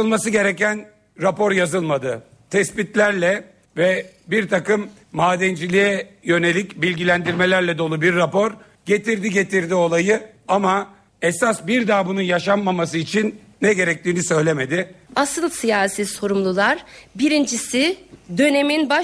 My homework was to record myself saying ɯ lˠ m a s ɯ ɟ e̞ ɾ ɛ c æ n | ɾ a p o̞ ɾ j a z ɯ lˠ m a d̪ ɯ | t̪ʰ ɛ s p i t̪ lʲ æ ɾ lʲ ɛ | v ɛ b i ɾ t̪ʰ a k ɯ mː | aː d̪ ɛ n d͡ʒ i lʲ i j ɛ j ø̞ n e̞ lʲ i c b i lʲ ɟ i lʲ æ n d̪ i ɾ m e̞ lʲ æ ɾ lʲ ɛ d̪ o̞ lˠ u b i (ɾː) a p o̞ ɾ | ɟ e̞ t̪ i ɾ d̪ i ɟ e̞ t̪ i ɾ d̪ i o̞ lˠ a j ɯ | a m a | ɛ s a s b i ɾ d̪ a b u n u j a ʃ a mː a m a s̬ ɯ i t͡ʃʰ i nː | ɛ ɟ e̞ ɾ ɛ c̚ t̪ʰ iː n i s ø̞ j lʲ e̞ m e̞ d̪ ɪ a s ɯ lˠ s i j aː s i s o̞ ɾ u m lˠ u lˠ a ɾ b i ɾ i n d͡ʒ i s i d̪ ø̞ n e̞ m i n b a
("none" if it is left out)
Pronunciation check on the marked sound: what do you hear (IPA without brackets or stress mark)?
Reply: ɾː